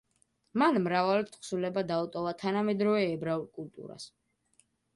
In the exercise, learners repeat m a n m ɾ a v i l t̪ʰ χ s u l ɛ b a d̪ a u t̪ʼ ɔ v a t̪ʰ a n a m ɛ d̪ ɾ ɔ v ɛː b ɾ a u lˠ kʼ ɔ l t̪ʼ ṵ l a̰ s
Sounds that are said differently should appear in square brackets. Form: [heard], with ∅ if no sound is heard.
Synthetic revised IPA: m a n m ɾ a v [a] l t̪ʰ χ s u l ɛ b a d̪ a u t̪ʼ ɔ v a t̪ʰ a n a m ɛ d̪ ɾ ɔ v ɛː b ɾ a u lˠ kʼ [u] l t̪ʼ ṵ [ɾ] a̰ s